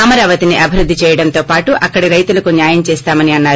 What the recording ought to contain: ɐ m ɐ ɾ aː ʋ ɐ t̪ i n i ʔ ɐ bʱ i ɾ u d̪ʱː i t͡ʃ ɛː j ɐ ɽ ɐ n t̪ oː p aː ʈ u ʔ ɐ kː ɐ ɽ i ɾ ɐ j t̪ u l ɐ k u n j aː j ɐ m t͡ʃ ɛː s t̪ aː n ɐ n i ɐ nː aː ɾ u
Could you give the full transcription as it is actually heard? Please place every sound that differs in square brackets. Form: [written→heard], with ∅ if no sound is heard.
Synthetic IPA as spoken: ɐ m ɐ ɾ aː ʋ ɐ t̪ i n i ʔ ɐ bʱ i ɾ u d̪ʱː i t͡ʃ ɛː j ɐ ɽ ɐ n t̪ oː p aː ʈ u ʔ ɐ kː ɐ ɽ i ɾ ɐ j t̪ u l ɐ k u n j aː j ɐ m t͡ʃ ɛː s t̪ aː [n→m] ɐ n i ɐ nː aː ɾ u